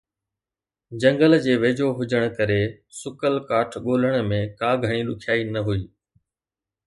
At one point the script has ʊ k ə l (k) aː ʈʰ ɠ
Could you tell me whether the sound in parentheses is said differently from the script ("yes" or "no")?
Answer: no